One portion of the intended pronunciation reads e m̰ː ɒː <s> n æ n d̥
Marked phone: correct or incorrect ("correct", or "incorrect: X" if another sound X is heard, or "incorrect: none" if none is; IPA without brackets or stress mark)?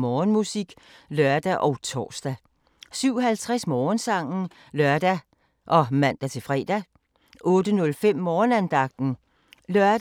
incorrect: none